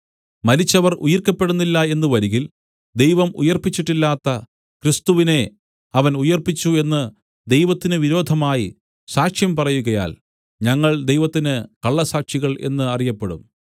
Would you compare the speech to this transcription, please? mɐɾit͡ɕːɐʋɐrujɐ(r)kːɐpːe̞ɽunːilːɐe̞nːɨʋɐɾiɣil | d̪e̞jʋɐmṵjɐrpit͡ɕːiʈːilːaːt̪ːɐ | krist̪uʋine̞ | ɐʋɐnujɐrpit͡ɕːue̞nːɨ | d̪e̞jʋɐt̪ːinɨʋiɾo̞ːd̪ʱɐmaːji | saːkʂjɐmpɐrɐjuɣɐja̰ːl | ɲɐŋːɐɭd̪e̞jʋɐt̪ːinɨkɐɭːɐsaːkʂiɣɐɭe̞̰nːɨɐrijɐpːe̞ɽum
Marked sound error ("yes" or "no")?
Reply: no